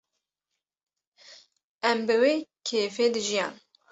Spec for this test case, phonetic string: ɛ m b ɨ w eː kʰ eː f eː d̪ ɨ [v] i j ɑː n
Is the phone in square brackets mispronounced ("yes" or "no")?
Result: yes